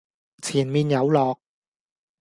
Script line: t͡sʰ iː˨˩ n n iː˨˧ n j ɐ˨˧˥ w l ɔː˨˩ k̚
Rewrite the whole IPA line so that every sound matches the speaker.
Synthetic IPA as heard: t͡sʰ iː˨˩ n m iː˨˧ n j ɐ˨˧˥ w l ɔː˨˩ k̚